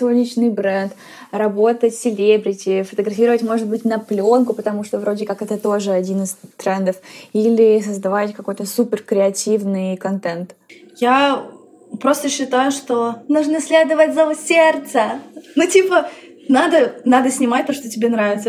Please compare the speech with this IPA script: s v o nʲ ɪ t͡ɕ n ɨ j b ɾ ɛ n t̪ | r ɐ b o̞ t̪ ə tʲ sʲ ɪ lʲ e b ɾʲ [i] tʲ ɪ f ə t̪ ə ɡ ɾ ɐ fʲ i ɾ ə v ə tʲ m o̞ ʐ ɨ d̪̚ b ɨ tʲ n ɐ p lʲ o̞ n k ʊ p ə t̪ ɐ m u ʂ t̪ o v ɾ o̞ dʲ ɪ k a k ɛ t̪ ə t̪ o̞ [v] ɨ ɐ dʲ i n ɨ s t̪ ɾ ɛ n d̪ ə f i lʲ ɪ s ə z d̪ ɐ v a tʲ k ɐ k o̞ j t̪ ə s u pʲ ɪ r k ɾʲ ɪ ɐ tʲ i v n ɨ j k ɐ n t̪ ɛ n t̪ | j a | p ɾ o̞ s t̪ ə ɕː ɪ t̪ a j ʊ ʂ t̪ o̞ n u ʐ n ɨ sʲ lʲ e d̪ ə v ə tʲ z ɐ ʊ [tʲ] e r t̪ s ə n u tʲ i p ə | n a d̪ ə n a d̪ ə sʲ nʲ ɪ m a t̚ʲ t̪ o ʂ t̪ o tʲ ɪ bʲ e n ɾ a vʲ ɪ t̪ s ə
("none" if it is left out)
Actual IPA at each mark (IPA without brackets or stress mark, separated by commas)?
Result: ɪ, ʐ, sʲ